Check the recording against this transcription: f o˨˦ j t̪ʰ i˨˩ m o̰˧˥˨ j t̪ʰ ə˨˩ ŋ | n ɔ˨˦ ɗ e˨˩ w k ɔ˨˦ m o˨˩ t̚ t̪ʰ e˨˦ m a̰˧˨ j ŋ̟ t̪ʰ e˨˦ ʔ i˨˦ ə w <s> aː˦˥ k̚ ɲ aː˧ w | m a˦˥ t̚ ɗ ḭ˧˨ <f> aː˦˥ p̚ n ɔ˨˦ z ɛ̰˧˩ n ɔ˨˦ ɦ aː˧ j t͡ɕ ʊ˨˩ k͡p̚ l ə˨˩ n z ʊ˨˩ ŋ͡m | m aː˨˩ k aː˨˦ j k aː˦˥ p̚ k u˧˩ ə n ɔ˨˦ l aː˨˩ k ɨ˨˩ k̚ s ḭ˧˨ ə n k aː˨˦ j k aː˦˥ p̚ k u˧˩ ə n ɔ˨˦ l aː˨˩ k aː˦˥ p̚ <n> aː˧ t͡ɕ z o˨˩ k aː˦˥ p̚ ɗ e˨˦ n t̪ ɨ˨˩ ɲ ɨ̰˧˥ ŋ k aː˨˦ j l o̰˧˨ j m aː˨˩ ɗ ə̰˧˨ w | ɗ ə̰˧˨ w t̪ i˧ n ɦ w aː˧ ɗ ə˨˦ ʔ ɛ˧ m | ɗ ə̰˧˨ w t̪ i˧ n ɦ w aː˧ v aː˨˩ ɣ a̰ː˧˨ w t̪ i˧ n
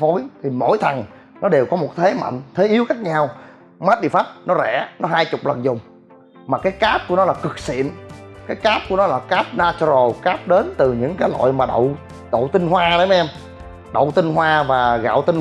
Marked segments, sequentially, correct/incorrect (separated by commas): incorrect, correct, correct